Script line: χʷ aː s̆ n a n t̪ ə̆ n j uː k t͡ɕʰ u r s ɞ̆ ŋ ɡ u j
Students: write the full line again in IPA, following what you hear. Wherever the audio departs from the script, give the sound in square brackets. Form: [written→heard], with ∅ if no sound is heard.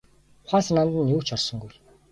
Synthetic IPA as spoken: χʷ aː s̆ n a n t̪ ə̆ n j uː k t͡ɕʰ [u→ɔ] r s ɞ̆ ŋ ɡ u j